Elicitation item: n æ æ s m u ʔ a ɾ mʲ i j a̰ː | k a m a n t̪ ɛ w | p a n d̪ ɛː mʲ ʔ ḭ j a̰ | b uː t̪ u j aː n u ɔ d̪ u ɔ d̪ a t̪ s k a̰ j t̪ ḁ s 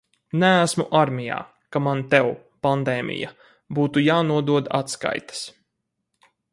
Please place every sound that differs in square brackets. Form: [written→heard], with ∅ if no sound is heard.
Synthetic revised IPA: n æ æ s m u ʔ a ɾ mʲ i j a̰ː | k a m a n t̪ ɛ w | p a n d̪ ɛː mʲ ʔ ḭ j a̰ | b uː t̪ u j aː n u ɔ d̪ u ɔ d̪ a t̪ s k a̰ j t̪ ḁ s